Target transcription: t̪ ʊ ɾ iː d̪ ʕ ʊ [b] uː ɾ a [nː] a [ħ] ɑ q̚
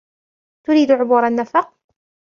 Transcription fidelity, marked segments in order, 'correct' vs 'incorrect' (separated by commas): correct, correct, incorrect